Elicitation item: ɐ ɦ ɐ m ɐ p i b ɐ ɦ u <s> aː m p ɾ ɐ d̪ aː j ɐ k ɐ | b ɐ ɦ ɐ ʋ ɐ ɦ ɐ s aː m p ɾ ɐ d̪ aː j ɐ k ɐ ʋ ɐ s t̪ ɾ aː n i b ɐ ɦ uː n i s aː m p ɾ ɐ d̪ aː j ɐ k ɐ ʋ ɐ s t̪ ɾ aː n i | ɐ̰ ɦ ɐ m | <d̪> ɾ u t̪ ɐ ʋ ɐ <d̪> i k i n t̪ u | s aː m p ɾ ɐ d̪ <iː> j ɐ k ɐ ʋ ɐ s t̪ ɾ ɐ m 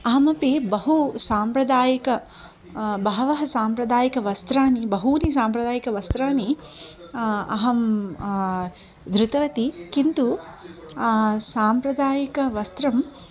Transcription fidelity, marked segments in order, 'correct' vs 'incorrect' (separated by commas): correct, correct, incorrect, incorrect